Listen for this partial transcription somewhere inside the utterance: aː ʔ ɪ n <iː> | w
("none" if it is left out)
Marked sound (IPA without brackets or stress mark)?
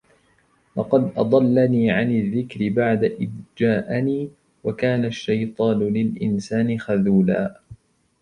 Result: iː